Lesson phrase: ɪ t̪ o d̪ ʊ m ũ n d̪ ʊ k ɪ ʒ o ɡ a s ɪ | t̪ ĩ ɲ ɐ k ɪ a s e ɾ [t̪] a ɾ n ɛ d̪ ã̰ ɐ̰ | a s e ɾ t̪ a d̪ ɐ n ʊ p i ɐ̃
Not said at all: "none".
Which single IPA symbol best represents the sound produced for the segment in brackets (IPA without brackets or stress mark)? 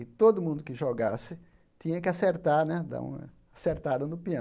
t̪